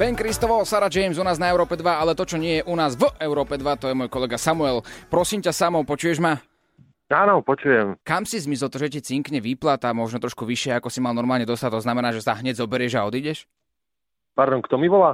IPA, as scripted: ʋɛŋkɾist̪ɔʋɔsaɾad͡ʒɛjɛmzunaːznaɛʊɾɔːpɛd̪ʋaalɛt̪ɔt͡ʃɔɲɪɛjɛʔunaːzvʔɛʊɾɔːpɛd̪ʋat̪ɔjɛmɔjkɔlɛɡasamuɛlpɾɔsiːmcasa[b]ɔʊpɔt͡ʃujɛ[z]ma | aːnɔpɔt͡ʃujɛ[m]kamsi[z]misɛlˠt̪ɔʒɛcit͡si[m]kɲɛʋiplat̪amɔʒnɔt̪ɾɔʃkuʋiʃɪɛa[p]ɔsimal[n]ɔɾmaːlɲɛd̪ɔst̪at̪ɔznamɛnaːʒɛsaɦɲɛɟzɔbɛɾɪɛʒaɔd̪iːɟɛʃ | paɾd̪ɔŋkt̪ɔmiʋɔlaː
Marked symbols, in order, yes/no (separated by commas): no, no, yes, yes, no, no, yes